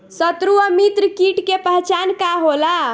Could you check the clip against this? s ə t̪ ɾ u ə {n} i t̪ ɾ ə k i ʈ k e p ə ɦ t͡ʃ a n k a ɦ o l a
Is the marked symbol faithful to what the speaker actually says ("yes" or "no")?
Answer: no